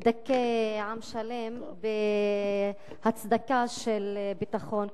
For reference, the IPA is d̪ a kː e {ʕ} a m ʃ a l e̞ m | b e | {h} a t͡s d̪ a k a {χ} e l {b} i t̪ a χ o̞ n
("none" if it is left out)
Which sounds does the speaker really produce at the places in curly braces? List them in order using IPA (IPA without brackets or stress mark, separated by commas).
ʕ, h, ʃ, b